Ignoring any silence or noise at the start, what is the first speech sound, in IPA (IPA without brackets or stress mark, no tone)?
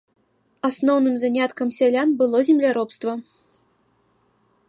a